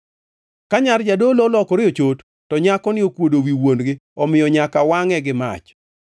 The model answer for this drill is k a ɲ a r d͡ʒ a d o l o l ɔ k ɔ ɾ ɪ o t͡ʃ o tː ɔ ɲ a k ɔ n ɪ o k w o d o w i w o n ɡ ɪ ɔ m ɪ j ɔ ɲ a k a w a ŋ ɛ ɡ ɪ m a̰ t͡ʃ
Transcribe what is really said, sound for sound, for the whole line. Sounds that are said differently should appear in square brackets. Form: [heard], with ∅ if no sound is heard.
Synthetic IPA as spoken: k a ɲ a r d͡ʒ a d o l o l ɔ k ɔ ɾ ɪ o t͡ʃ o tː ɔ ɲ a k ɔ n ɪ o k w o d o w i w o n ɡ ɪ ɔ m ɪ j ɔ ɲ a k a w a ŋ ɛ ɡ ɪ m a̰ t͡ʃ